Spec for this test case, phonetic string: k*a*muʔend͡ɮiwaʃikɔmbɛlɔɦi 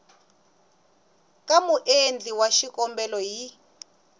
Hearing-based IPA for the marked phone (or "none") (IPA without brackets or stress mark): a